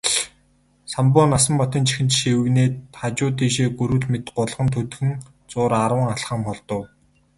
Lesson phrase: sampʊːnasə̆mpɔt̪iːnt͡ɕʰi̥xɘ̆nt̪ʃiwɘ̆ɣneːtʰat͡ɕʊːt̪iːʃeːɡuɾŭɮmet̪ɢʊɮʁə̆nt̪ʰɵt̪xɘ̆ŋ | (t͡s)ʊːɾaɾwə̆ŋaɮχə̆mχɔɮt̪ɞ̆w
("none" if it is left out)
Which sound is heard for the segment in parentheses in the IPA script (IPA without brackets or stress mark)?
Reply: t͡s